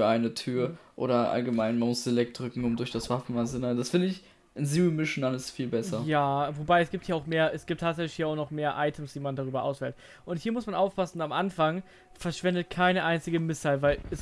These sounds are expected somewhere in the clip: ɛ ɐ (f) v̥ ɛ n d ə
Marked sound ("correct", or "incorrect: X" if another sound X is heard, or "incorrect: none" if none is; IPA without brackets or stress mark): incorrect: ʃ